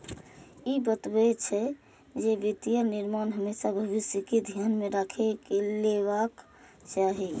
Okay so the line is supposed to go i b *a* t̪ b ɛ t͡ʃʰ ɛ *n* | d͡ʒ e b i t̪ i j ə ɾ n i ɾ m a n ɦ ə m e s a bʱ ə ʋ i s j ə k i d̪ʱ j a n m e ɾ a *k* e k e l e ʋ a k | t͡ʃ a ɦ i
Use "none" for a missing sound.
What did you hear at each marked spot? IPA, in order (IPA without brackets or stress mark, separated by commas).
ə, none, kʰ